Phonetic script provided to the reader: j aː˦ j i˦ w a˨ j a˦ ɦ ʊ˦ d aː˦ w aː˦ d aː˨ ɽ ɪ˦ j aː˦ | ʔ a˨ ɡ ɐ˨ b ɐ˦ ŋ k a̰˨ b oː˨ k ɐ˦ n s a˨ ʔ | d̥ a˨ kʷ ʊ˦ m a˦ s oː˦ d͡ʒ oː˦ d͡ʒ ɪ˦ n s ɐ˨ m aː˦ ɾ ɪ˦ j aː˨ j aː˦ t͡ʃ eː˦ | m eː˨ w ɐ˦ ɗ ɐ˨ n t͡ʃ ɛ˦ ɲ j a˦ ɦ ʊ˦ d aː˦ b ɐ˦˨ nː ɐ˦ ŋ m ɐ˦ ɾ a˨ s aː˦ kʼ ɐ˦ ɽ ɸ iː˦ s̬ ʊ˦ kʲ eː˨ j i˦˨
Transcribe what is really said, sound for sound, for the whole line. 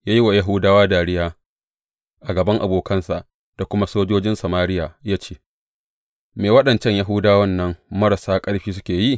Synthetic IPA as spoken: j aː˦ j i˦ w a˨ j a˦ ɦ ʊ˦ d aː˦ w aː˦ d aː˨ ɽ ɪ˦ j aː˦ | ʔ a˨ ɡ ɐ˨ b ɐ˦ ŋ ʔ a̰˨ b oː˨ k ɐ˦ n s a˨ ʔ | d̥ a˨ kʷ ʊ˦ m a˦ s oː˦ d͡ʒ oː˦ d͡ʒ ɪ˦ n s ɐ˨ m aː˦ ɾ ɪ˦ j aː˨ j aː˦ t͡ʃ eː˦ | m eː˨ w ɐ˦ ɗ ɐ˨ n t͡ʃ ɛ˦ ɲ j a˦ ɦ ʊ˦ d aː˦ w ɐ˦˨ nː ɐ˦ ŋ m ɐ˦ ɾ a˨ s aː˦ kʼ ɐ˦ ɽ ɸ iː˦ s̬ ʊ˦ kʲ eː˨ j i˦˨

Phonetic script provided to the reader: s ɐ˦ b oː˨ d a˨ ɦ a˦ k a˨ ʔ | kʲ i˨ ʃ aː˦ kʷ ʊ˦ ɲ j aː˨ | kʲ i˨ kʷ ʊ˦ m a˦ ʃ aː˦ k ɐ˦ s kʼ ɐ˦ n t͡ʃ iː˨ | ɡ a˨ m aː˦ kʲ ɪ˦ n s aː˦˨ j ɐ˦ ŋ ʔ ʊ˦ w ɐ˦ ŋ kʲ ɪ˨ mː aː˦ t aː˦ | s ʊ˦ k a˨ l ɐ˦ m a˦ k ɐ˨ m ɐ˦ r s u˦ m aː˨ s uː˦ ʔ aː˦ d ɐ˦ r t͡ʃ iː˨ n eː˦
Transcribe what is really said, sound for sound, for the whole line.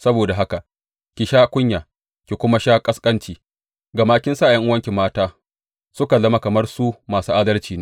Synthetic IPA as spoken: s ɐ˦ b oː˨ d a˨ ɦ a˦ k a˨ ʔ | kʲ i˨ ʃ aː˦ kʷ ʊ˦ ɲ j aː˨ | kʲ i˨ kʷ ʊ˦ m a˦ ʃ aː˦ kʼ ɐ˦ s kʼ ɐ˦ n t͡ʃ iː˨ | ɡ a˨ m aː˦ kʲ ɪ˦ n s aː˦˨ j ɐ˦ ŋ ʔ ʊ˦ w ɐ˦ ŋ kʲ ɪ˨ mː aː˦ t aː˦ | s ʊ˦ k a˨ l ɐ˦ m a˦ k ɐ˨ m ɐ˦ r s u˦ m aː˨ s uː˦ ʔ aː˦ d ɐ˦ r t͡ʃ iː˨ n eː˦

